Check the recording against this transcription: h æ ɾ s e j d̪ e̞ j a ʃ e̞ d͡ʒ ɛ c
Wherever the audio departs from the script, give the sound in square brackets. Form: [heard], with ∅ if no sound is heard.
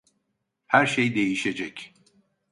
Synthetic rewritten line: h æ ɾ [ʃ] e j d̪ e̞ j [i] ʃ e̞ d͡ʒ ɛ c